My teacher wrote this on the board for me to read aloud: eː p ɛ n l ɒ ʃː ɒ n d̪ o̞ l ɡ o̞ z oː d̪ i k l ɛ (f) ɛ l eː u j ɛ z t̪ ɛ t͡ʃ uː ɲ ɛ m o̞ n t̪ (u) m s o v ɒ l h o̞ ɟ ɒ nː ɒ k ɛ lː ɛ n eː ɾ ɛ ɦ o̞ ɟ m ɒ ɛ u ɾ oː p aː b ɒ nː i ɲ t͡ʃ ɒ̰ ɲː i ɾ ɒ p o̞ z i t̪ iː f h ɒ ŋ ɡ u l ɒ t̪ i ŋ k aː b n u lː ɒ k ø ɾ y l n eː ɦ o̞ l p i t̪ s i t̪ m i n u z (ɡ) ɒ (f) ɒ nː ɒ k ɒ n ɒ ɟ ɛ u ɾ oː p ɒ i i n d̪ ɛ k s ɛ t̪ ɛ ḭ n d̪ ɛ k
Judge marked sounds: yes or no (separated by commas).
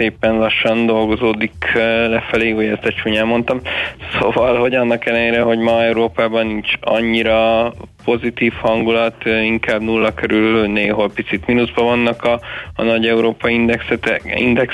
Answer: yes, no, no, no